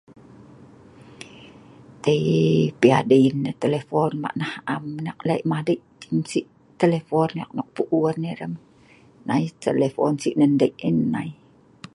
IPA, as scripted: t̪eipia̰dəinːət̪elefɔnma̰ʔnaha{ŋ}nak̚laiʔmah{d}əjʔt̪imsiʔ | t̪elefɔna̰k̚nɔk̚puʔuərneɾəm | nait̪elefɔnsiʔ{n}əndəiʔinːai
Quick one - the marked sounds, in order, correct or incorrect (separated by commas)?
incorrect, correct, correct